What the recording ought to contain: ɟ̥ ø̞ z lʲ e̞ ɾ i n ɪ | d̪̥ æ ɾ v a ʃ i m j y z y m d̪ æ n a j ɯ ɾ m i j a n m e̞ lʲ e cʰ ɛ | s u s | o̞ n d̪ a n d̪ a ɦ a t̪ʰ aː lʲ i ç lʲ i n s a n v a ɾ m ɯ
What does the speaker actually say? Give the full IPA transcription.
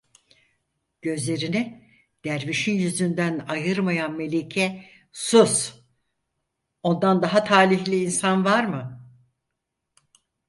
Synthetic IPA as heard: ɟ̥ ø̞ z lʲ e̞ ɾ i n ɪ | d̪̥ æ ɾ v i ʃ i n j y z y n d̪ æ n a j ɯ ɾ m a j a n m e̞ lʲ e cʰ ɛ | s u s | o̞ n d̪ a n d̪ a ɦ a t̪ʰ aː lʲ i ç lʲ iː n s a n v a ɾ m ɯ